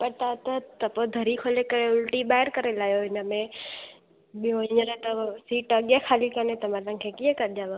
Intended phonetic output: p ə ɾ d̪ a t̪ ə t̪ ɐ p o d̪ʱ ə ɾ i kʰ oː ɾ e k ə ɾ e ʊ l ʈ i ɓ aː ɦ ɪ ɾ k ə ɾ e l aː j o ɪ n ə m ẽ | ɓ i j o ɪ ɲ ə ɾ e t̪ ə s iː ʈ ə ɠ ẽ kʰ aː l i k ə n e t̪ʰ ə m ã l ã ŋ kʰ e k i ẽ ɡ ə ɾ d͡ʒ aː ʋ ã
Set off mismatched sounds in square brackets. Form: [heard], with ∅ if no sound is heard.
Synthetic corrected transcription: p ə ɾ [t̪] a t̪ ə t̪ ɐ p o d̪ʱ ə ɾ i kʰ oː [l] e k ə ɾ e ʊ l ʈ i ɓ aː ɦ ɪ ɾ k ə ɾ e l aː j o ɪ n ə m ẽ | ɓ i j o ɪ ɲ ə ɾ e t̪ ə s iː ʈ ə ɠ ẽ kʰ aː l i k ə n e [t̪] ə m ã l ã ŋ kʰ e k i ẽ [k] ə ɾ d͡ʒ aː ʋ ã